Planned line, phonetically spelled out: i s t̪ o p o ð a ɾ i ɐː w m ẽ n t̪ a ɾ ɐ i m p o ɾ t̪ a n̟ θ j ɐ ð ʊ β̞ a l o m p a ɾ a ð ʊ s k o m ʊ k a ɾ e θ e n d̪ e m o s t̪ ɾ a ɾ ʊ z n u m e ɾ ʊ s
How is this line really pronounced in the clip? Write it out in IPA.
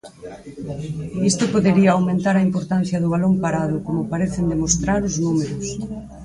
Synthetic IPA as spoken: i s t̪ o p o ð e ɾ i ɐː w m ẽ n t̪ a ɾ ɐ i m p o ɾ t̪ a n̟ θ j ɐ ð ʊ β̞ a l o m p a ɾ a ð ʊ k o m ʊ p a ɾ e θ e n d̪ e m o s t̪ ɾ a ɾ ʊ z n u m e ɾ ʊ s

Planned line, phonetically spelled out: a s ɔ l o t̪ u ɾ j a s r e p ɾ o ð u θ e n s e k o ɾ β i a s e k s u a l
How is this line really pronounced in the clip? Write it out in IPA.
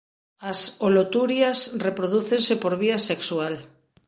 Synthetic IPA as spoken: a s o l o t̪ u ɾ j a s r e p ɾ o ð u θ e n s e p o ɾ β i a s e k s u a l

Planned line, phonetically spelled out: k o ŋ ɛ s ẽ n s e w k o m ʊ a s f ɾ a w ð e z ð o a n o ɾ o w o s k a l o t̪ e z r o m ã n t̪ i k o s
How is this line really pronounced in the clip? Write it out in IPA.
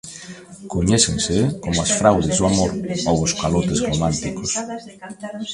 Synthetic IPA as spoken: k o ɲ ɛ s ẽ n s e k o m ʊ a s f ɾ a w ð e z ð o a m o ɾ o w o s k a l o t̪ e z r o m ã n t̪ i k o s

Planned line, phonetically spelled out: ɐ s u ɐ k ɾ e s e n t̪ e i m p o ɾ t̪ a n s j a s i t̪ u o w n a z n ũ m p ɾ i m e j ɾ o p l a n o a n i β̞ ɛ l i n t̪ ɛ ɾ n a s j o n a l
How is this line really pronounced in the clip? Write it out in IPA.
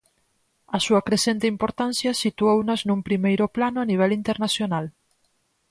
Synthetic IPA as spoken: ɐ s u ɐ k ɾ e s e n t̪ e i m p o ɾ t̪ a n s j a s i t̪ u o w n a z n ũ m p ɾ i m e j ɾ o p l a n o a n i β̞ ɛ l i n t̪ e ɾ n a s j o n a l

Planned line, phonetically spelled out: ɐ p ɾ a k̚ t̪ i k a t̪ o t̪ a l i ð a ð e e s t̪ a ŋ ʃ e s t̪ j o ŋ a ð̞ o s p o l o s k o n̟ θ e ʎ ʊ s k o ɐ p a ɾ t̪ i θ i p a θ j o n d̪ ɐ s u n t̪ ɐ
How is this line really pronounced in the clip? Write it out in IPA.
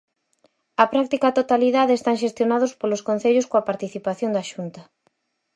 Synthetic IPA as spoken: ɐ p ɾ a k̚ t̪ i k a t̪ o t̪ a l i ð a ð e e s t̪ a ŋ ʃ e s t̪ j o n a ð̞ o s p o l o s k o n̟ θ e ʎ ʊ s k o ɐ p a ɾ t̪ i θ i p a θ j o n d̪ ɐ ʃ u n t̪ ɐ

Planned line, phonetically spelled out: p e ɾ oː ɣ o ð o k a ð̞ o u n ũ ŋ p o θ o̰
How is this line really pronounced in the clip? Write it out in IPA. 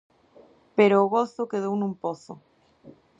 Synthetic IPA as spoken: p e ɾ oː ɣ o θ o k e ð̞ o w n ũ m p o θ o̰

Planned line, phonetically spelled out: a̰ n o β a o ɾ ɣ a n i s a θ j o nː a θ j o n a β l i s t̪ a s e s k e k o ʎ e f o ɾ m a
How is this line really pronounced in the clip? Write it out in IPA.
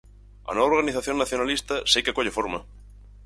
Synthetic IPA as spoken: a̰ n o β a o ɾ ɣ a n i θ a θ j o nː a θ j o n a l i s t̪ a s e k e k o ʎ e f o ɾ m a

